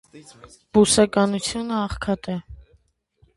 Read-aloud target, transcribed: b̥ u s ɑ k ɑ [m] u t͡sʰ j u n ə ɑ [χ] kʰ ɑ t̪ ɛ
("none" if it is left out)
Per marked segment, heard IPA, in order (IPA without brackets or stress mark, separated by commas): n, χ